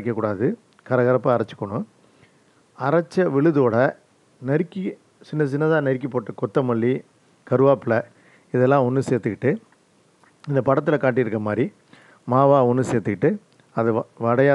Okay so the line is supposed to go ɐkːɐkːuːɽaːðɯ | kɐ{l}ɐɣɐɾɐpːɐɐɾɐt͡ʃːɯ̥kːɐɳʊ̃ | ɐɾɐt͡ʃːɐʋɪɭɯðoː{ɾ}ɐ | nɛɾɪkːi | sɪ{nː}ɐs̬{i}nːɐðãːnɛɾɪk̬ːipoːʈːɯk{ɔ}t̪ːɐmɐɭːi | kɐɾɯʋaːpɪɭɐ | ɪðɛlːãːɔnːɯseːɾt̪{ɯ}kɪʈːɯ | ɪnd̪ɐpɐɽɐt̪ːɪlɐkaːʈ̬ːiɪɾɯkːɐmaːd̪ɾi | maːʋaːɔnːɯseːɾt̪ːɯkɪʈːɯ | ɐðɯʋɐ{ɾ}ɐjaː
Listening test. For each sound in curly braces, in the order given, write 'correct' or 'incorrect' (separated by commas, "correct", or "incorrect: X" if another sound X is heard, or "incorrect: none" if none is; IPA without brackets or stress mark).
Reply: incorrect: ɾ, incorrect: ɽ, correct, incorrect: ɪ, correct, correct, incorrect: ɽ